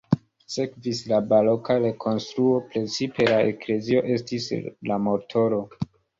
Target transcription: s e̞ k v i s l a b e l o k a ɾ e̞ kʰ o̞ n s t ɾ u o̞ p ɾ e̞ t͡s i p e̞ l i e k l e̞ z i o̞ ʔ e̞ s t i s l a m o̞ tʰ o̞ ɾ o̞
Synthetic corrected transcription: s e̞ k v i s l a b a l o k a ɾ e̞ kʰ o̞ n s t ɾ u o̞ p ɾ e̞ t͡s i p e̞ l a e k l e̞ z i o̞ ʔ e̞ s t i s l a m o̞ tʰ o̞ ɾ o̞

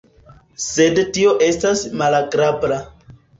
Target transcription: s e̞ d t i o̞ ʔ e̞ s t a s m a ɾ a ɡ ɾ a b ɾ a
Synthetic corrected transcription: s e̞ d t i o̞ ʔ e̞ s t a s m a l a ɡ ɾ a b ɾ a

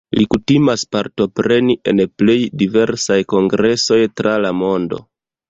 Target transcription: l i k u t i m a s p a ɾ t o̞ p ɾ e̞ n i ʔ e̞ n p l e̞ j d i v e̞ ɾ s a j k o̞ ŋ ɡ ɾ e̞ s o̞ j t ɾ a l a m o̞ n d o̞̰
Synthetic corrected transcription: l i k u t i m a s p a ɾ t o̞ p ɾ e̞ n i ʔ e̞ n p l e̞ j d i v e̞ ɾ s a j k o̞ ŋ ɡ ɾ e̞ s o̞ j t ɾ a l a m o̞ n d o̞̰

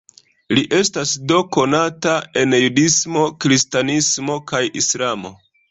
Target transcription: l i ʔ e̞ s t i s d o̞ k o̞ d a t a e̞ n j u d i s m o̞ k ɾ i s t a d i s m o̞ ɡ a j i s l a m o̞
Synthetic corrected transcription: l i ʔ e̞ s t a s d o̞ k o̞ n a t a e̞ n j u d i s m o̞ k ɾ i s t a n i s m o̞ k a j i s l a m o̞

